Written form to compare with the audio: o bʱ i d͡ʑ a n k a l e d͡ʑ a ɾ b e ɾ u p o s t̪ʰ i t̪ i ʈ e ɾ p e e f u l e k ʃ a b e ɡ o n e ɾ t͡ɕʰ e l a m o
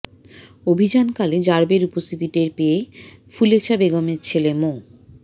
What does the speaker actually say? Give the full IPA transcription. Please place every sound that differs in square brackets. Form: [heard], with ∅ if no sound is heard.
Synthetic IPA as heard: o bʱ i d͡ʑ a n k a l e d͡ʑ a ɾ b e ɾ u p o s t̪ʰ i t̪ i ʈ e ɾ p e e f u l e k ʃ a b e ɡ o [m] e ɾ t͡ɕʰ e l [e] m o

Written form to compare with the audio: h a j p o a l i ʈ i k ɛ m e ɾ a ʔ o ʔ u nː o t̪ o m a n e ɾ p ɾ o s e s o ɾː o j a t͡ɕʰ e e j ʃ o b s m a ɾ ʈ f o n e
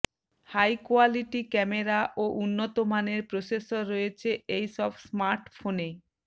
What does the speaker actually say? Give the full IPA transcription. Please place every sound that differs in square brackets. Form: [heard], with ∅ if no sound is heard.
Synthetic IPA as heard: h a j [k] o a l i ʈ i k ɛ m e ɾ a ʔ o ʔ u nː o t̪ o m a n e ɾ p ɾ o s e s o ɾː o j [e] t͡ɕʰ e e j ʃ [ɔ] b s m a ɾ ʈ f o n e

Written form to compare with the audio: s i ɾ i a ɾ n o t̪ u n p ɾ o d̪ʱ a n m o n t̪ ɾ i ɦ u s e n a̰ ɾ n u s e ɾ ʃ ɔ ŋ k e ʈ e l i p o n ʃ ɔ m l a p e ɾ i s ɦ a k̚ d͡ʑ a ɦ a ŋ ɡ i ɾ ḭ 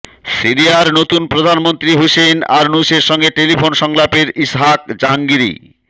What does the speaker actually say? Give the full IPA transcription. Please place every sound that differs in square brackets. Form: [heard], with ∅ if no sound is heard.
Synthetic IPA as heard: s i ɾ i a ɾ n o t̪ u n p ɾ o d̪ʱ a n m o n t̪ ɾ i ɦ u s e n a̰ ɾ n u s e ɾ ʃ ɔ ŋ [ɡ] e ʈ e l i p o n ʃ ɔ [ŋ] l a p e ɾ i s ɦ a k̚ d͡ʑ a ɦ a ŋ ɡ i ɾ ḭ

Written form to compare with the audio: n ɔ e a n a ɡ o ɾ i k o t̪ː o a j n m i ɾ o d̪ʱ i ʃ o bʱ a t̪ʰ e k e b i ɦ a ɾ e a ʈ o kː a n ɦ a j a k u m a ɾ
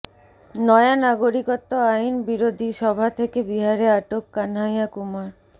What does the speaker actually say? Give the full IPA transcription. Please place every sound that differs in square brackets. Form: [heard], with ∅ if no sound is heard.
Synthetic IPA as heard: n ɔ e a n a ɡ o ɾ i k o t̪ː o a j n [b] i ɾ o d̪ʱ i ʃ [ɔ] bʱ a t̪ʰ e k e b i ɦ a ɾ e a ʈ o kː a n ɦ a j a k u m a ɾ

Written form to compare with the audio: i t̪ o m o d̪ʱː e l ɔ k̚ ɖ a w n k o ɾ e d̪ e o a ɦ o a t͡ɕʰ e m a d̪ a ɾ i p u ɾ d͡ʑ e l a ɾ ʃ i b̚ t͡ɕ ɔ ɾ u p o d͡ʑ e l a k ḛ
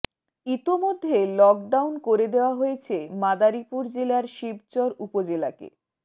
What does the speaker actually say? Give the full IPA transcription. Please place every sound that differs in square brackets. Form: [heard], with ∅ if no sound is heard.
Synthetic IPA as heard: i t̪ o m o d̪ʱː e l ɔ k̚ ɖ a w n k o ɾ e d̪ e o a ɦ o [e] t͡ɕʰ e m a d̪ a ɾ i p u ɾ d͡ʑ e l a ɾ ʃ i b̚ t͡ɕ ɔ ɾ u p o d͡ʑ e l a k ḛ

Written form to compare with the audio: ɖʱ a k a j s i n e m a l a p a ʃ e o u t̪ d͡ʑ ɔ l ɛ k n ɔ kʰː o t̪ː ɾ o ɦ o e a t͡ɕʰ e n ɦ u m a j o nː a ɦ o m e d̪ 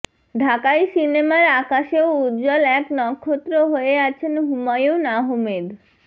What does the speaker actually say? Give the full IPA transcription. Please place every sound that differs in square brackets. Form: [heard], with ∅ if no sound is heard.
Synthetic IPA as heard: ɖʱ a k a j s i n e m a [ɾ] a [k] a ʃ e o u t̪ d͡ʑ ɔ l ɛ k n ɔ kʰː o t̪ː ɾ o ɦ o e a t͡ɕʰ e n ɦ u m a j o [n] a ɦ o m e d̪

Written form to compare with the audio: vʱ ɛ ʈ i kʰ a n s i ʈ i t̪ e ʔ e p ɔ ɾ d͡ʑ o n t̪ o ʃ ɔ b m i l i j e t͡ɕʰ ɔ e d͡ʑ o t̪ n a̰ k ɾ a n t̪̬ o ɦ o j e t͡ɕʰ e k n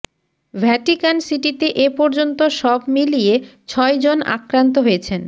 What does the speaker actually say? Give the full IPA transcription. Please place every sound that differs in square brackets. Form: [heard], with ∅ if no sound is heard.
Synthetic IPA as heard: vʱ ɛ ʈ i [k] a n s i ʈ i t̪ e ʔ e p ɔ ɾ d͡ʑ o n t̪ o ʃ ɔ b m i l i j e t͡ɕʰ ɔ e d͡ʑ o [∅] n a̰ k ɾ a n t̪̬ o ɦ o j e t͡ɕʰ e [∅] n

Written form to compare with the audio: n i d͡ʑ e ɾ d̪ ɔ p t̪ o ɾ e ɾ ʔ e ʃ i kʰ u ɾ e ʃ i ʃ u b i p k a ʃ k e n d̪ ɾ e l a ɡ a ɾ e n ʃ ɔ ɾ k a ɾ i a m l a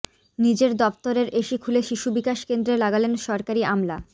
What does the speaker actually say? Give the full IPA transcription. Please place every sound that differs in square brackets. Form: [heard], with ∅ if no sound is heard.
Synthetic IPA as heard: n i d͡ʑ e ɾ d̪ ɔ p t̪ o ɾ e ɾ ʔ e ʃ i kʰ u [l] e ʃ i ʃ u b i [∅] k a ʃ k e n d̪ ɾ e l a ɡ a [l] e n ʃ ɔ ɾ k a ɾ i a m l a

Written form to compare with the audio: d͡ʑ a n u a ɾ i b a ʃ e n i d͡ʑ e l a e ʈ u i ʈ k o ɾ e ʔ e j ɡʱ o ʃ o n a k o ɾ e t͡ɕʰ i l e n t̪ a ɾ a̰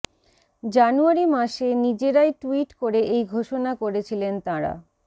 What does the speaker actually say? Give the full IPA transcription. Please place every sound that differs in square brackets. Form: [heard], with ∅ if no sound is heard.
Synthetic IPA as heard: d͡ʑ a n u a ɾ i [m] a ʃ e n i d͡ʑ e [ɾ] a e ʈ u i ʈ k o ɾ e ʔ e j ɡʱ o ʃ o n a k o ɾ e t͡ɕʰ i l e n t̪ a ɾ a̰

